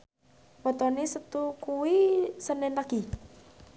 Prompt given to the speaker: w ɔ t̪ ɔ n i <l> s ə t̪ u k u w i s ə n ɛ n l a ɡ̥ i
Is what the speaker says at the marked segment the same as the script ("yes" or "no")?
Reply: no